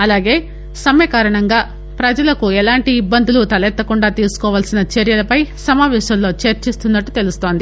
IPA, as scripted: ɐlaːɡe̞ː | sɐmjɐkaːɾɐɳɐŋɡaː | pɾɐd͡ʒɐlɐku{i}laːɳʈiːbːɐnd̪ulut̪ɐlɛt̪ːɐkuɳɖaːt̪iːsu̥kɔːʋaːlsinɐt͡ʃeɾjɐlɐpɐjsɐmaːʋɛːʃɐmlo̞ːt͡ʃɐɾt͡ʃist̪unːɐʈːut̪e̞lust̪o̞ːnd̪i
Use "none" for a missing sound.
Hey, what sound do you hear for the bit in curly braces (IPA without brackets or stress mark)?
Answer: ɛ